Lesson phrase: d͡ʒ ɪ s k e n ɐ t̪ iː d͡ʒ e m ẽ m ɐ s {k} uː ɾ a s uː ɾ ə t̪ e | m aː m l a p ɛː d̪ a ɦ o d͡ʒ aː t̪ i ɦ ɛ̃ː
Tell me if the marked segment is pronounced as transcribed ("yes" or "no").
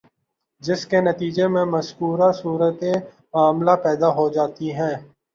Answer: yes